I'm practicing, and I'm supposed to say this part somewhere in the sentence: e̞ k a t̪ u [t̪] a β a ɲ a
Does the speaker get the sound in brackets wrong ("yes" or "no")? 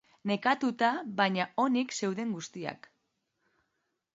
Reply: no